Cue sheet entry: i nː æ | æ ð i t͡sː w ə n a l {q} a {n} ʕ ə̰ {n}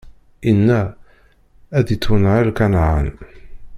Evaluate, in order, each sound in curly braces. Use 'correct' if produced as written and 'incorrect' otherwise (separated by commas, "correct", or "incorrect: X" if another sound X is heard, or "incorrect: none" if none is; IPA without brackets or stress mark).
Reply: incorrect: k, correct, correct